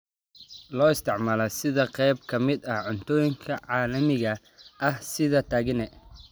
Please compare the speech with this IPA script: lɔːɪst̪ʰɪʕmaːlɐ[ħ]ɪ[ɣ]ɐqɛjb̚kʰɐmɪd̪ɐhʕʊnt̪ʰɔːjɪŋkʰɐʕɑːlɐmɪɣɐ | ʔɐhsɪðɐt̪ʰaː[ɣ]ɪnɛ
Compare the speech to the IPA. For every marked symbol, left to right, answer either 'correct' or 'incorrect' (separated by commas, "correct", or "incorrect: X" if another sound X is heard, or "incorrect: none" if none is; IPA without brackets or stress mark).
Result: incorrect: s, incorrect: ð, correct